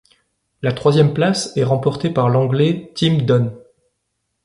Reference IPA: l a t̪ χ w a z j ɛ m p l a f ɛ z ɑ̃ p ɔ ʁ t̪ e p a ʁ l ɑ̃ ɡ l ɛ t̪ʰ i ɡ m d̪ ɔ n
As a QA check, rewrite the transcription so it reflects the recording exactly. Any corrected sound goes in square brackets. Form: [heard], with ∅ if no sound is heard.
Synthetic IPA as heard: l a t̪ χ w a z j ɛ m p l a [s] ɛ [ʁ] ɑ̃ p ɔ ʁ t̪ e p a ʁ l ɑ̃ ɡ l ɛ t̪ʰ i [∅] m d̪ ɔ n